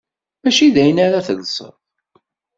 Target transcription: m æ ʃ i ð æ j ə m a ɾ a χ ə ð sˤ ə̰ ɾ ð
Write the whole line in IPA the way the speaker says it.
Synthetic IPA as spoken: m æ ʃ i ð æ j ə n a ɾ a θ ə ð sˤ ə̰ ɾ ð